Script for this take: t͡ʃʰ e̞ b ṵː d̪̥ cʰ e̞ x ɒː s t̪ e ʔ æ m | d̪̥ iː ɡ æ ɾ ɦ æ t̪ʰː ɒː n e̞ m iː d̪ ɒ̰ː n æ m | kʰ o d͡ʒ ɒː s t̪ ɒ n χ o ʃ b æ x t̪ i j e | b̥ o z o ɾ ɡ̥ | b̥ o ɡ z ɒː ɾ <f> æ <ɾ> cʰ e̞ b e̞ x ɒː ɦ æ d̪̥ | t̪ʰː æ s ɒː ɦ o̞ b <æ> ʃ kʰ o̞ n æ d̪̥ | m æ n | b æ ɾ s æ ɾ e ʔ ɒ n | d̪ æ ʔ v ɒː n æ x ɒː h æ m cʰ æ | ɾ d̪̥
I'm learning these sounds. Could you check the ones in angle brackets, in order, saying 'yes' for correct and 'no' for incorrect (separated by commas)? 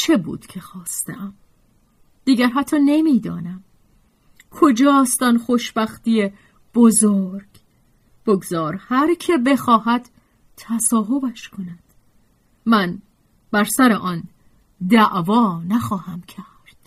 no, yes, yes